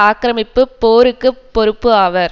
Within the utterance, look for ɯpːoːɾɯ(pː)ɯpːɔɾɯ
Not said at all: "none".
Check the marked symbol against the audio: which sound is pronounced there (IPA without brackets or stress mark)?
kː